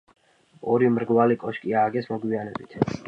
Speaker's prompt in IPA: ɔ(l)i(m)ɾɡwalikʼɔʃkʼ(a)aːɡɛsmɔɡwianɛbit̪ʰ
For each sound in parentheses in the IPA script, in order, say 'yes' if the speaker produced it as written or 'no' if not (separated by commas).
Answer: no, yes, no